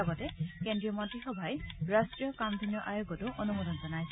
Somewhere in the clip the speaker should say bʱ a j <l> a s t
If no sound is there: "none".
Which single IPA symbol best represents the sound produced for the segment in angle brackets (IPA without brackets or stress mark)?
ɹ